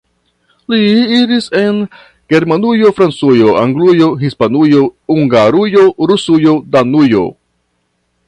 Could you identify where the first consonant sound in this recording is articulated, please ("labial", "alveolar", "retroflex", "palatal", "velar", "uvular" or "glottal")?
alveolar